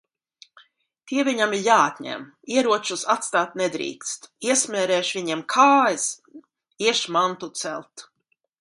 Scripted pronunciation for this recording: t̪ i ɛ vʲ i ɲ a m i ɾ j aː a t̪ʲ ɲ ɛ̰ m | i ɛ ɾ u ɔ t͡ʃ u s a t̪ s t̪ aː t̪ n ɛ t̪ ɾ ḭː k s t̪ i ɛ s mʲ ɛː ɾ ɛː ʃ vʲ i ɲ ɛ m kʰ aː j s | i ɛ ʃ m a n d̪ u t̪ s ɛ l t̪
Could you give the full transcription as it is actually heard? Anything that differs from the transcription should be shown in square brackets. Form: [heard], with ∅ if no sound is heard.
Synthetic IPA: t̪ i ɛ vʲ i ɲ a m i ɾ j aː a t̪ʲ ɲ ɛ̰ m | i ɛ ɾ u ɔ t͡ʃ u s a t̪ s t̪ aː t̪ n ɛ [d̪] ɾ ḭː k s t̪ i ɛ s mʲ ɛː ɾ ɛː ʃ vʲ i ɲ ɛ m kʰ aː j s | i ɛ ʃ m a n [t̪] u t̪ s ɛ l t̪